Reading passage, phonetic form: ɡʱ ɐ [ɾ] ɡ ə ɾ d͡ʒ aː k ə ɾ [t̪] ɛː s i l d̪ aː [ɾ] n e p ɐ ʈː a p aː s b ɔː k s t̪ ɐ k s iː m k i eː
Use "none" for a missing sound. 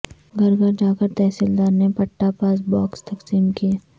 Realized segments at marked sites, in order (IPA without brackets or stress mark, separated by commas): ɾ, t̪, ɾ